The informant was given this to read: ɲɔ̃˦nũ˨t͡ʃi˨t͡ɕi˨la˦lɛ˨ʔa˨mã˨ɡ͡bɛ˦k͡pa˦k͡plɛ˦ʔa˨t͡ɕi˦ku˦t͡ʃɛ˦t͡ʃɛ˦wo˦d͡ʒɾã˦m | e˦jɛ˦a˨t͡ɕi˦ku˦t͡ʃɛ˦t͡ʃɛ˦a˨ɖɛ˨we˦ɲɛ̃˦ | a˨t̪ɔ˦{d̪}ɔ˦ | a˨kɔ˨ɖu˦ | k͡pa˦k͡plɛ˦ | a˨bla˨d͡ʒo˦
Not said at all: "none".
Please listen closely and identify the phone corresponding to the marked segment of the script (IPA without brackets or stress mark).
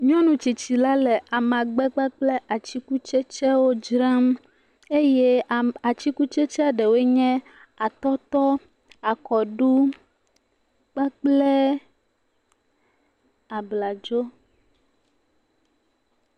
t̪